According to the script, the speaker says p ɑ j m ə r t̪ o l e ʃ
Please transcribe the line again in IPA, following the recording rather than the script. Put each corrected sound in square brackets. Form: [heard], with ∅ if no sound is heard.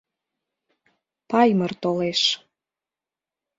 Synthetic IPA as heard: p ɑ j m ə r t̪ o l e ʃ